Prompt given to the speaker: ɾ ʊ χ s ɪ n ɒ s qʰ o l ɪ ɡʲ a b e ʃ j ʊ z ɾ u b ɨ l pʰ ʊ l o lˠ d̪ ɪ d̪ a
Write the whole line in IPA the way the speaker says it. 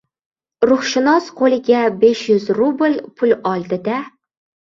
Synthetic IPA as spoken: ɾ ʊ χ ʃ ɪ n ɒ s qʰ o l ɪ ɡʲ a b e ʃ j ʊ z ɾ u b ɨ l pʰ ʊ l ɒ lˠ d̪ ɪ d̪ a

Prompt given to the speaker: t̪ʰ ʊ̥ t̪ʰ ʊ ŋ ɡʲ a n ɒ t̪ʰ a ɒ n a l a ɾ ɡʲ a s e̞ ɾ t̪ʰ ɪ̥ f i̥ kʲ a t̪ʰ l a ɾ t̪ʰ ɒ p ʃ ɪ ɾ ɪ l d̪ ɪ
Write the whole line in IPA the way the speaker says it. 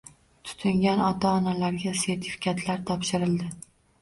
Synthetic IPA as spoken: t̪ʰ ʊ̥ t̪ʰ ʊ ŋ ɡʲ a n ɒ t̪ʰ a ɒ n a l a ɾ ɡʲ a s e̞ ɾ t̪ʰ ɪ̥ f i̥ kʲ a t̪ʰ l a ɾ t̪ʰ ɒ p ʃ ɪ ɾ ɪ l d̪ ɪ

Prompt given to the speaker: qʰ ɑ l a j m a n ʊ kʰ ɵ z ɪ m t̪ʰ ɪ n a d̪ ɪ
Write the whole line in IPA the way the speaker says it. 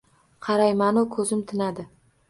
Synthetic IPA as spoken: qʰ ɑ ɾ a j m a n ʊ kʰ ɵ z ɪ m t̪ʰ ɪ n a d̪ ɪ

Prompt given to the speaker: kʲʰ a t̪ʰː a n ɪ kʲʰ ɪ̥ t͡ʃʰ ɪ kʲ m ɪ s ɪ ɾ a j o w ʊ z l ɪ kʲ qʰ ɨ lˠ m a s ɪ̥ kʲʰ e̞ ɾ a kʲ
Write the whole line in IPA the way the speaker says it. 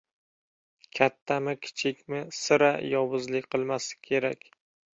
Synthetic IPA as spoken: kʲʰ a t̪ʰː a m ɪ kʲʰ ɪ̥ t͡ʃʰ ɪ kʲ m ɪ s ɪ ɾ a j ɒ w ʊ z l ɪ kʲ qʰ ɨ lˠ m a s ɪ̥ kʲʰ e̞ ɾ a kʲ

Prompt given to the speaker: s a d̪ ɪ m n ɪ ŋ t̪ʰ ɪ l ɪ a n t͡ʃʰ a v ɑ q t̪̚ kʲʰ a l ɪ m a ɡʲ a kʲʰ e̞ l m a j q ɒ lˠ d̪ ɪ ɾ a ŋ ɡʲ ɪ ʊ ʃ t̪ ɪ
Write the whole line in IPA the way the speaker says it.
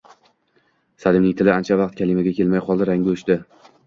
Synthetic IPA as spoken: s a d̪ ɪ m n ɪ ŋ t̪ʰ ɪ l ɪ a n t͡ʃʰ a v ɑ q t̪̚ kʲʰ a l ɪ m a ɡʲ a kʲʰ e̞ l m a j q ɒ lˠ d̪ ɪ ɾ a ŋ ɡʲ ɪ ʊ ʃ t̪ ɪ

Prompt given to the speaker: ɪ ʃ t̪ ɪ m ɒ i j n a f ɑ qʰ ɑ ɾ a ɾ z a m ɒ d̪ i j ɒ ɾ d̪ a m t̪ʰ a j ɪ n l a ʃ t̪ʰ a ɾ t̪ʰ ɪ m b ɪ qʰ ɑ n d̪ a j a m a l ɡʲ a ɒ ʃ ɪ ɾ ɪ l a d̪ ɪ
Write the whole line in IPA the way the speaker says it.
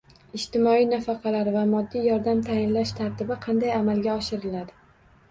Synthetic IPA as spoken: ɪ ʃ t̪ ɪ m ɒ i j n a f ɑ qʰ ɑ l a ɾ v a m ɒ d̪ː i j ɒ ɾ d̪ a m t̪ʰ a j ɪ n l a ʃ t̪ʰ a ɾ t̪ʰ ɪ b ɪ qʰ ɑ n d̪ a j a m a l ɡʲ a ɒ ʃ ɪ ɾ ɪ l a d̪ ɪ

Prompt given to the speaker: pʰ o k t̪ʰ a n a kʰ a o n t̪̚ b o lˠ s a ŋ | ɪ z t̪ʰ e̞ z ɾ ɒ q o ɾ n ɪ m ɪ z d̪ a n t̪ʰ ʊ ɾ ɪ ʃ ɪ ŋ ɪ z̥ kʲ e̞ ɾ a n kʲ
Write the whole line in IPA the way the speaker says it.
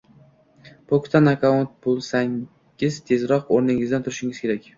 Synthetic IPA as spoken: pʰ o k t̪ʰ a n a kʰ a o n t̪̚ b o lˠ s a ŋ | ɪ z t̪ʰ e̞ z ɾ ɒ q o ɾ n ɪ ŋ ɪ z d̪ a n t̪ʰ ʊ ɾ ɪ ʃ ɪ ŋ ɪ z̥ kʲ e̞ ɾ a kʲ

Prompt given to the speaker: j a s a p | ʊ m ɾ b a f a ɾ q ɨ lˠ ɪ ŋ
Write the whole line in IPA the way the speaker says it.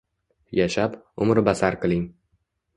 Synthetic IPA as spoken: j a ʃ a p | ʊ m ɾ b a s a ɾ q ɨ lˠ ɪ ŋ

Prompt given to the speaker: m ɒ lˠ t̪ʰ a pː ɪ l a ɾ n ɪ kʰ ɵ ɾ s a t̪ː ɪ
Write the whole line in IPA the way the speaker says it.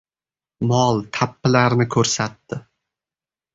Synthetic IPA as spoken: m ɒ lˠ t̪ʰ a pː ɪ l a ɾ n ɪ kʰ ɵ ɾ s a t̪ː ɪ

